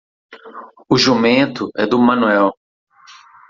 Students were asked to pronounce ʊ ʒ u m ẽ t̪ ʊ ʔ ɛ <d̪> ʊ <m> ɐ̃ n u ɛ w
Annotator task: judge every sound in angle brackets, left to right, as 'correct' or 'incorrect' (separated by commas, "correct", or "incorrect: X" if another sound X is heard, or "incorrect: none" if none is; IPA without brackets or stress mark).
correct, correct